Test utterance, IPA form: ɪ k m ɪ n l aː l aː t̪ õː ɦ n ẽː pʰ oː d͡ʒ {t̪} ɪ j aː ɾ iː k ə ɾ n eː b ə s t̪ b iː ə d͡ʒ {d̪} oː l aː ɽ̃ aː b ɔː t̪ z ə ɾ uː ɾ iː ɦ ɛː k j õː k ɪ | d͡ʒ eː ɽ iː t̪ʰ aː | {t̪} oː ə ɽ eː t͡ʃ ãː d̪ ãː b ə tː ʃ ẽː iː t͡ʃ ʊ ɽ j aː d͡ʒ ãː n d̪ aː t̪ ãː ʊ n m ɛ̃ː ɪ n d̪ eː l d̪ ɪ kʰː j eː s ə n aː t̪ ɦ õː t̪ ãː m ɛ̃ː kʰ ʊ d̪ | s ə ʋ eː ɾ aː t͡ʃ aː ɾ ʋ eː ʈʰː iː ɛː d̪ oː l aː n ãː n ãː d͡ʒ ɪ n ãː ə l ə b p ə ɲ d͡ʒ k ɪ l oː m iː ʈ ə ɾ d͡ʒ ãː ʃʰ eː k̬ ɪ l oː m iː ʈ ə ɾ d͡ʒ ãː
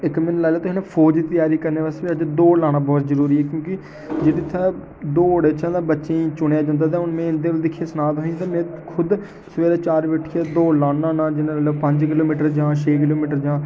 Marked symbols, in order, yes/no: yes, yes, no

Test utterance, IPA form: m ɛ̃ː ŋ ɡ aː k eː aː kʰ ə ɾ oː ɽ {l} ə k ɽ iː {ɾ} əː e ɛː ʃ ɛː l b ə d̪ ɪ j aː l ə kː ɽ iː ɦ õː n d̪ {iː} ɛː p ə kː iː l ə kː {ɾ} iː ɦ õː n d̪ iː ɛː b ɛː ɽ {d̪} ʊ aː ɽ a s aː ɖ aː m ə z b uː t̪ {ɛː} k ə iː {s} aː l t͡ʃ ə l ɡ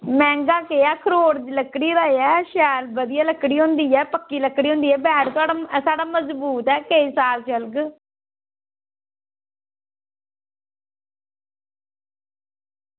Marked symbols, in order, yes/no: yes, yes, yes, no, no, yes, yes

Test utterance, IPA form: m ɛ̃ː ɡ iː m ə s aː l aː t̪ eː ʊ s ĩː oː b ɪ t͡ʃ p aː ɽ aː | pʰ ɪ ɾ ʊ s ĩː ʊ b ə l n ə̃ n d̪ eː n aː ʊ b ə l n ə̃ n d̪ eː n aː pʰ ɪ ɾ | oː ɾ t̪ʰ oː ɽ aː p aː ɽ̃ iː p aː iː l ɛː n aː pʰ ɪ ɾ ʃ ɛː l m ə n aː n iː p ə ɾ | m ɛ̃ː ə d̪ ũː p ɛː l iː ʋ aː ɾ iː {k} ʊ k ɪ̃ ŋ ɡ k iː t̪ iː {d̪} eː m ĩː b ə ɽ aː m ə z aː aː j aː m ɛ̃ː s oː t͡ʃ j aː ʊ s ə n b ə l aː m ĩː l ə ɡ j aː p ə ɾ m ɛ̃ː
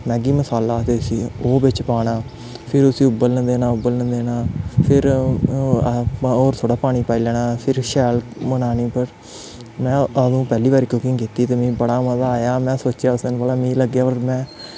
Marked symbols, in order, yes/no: yes, no

